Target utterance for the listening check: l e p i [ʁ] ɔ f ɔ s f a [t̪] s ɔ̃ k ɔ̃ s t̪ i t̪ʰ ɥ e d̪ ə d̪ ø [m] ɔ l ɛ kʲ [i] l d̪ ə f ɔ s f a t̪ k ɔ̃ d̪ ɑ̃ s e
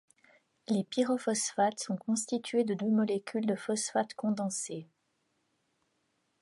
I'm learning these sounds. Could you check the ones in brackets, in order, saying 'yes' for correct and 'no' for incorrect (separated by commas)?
yes, yes, yes, no